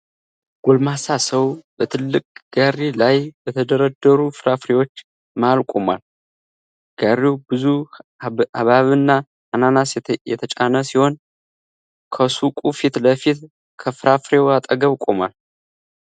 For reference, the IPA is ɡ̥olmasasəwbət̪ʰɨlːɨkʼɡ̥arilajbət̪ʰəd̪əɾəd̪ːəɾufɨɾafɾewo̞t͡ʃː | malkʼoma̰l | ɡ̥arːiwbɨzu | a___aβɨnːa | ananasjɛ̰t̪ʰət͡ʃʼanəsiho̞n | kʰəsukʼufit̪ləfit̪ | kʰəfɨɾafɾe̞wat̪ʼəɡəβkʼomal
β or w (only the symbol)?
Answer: β